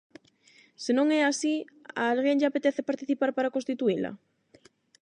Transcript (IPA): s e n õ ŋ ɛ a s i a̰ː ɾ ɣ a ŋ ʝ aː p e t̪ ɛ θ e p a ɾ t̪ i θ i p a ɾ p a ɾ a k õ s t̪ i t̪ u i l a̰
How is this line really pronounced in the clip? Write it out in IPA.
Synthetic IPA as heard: s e n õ ŋ ɛ a s i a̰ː l ɣ e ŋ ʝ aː p e t̪ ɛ θ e p a ɾ t̪ i θ i p a ɾ p a ɾ a k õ s t̪ i t̪ u i l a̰

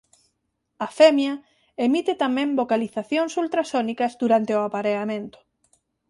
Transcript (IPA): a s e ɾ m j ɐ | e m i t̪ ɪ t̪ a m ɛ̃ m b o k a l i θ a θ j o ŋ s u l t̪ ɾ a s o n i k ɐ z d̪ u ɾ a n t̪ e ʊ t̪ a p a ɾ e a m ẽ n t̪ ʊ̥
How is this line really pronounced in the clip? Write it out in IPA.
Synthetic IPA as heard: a f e m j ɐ | e m i t̪ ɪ t̪ a m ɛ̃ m b o k a l i θ a θ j o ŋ s u l t̪ ɾ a s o n i k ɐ z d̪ u ɾ a n t̪ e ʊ a p a ɾ e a m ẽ n t̪ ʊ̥

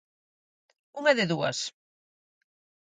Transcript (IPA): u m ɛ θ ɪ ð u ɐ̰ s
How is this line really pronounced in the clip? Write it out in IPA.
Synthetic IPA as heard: u ŋ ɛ ð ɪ ð u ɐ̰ s

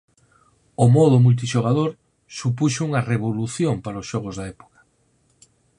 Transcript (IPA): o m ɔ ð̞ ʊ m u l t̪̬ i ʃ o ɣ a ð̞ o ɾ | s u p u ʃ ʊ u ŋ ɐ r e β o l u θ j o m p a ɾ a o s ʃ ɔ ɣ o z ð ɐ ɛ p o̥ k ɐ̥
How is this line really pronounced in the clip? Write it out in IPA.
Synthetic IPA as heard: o m ɔ ð̞ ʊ m u l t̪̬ i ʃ o ɣ a ð̞ o ɾ | s u p u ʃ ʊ u ŋ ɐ r e β o l u θ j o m p a ɾ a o s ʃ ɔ ɣ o z ð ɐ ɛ p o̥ k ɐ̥

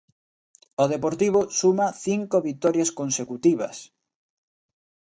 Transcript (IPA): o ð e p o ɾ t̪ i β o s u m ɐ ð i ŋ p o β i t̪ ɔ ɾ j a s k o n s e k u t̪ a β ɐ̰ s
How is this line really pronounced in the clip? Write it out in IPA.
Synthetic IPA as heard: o ð e p o ɾ t̪ i β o s u m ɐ θ i ŋ k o β i t̪ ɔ ɾ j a s k o n s e k u t̪ i β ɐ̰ s

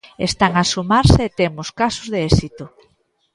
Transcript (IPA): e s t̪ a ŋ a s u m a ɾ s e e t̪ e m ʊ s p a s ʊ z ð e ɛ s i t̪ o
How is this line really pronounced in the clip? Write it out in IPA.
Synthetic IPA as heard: e s t̪ a ŋ a s u m a ɾ s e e t̪ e m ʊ s k a s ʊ z ð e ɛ s i t̪ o

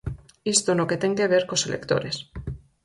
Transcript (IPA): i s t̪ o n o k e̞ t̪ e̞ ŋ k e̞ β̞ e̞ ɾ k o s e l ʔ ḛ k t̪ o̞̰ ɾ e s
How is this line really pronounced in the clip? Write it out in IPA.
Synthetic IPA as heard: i s t̪ o n o k e̞ t̪ e̞ ŋ k e̞ β̞ e̞ ɾ k o s e l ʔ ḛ k t̪ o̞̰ ɾ e s

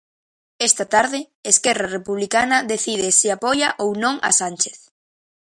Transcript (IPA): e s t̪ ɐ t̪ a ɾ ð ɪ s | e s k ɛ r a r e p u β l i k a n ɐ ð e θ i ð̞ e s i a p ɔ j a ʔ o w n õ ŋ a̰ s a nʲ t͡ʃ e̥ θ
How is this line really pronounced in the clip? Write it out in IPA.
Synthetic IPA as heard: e s t̪ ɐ t̪ a ɾ ð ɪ | e s k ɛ r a r e p u β l i k a n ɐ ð e θ i ð̞ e s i a p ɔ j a ʔ o w n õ ŋ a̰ s a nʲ t͡ʃ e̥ θ

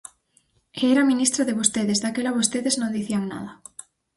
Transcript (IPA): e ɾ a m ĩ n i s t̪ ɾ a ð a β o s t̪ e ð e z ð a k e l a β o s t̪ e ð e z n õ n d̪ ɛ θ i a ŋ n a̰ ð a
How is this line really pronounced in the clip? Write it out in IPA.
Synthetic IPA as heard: e ɾ a m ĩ n i s t̪ ɾ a ð e β o s t̪ e ð e z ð a k e l a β o s t̪ e ð e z n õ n d̪ i θ i a ŋ n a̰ ð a

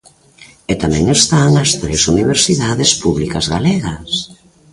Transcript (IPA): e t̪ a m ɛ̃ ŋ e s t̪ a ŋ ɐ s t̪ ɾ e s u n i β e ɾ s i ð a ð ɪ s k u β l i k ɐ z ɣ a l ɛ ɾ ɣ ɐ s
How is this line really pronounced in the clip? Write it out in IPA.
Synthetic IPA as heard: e t̪ a m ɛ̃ ŋ e s t̪ a ŋ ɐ s t̪ ɾ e s u n i β e ɾ s i ð a ð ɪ s p u β l i k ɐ z ɣ a l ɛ ɣ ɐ s

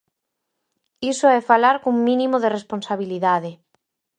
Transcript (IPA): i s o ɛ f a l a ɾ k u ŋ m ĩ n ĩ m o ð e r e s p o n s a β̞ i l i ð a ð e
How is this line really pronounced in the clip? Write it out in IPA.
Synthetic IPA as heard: i s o ɛ f a l a ɾ k u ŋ m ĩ n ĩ m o ð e r e s p o n s a β̞ i l i ð a ð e

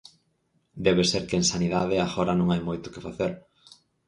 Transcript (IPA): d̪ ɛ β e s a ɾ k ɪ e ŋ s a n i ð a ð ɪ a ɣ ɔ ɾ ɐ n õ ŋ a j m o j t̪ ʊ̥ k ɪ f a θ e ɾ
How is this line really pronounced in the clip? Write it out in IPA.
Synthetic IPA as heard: d̪ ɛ β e s e ɾ k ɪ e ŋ s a n i ð a ð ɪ a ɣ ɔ ɾ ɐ n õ ŋ a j m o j t̪ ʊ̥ k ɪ f a θ e ɾ

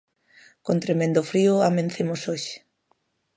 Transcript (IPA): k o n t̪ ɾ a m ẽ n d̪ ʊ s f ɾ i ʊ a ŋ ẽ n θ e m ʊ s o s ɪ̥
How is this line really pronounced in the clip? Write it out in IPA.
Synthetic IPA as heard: k o n t̪ ɾ e m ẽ n d̪ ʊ f ɾ i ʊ a m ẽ n θ e m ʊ s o ʃ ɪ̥

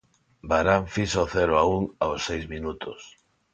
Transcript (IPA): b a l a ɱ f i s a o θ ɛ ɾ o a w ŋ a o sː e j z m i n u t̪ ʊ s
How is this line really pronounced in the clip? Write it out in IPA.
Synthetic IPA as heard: b a ɾ a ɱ f i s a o θ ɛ ɾ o a u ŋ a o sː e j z m i n u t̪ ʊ s

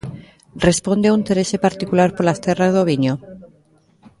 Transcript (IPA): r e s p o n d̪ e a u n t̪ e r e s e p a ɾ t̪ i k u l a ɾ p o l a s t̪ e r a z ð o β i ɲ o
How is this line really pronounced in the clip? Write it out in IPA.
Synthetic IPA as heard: r e s p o n d̪ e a u n t̪ e ɾ e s e p a ɾ t̪ i k u l a ɾ p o l a s t̪ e r a z ð o β i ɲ o

